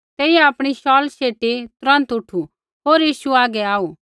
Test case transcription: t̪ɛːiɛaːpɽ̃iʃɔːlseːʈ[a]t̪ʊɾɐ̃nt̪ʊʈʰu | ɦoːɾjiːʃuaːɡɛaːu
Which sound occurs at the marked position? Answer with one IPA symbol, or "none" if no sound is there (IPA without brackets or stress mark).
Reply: i